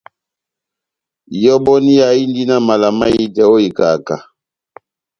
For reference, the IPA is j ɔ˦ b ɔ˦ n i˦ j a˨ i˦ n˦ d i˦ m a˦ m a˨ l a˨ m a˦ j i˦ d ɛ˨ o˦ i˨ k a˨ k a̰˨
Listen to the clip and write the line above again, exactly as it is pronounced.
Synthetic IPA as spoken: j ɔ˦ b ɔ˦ n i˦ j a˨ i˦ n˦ d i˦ n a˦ m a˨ l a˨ m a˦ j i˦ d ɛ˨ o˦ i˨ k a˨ k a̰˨